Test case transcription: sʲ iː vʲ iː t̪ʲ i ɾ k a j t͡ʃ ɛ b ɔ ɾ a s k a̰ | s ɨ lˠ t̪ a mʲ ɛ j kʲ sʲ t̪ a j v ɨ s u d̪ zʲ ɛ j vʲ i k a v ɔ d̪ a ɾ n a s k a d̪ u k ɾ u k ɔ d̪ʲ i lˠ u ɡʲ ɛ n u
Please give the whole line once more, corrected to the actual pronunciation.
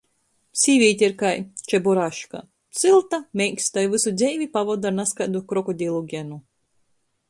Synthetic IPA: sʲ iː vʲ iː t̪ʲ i ɾ k a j t͡ʃ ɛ b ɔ ɾ a ʃ k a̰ | s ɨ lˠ t̪ a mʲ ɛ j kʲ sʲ t̪ a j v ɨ s u d̪ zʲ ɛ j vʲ i p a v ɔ d̪ a ɾ n a s k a d̪ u k ɾ ɔ k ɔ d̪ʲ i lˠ u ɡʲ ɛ n u